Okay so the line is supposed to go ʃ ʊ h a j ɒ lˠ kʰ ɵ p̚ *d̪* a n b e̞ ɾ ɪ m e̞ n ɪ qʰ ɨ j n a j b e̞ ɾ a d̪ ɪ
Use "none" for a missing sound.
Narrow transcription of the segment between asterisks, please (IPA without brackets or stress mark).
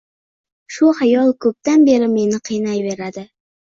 t̪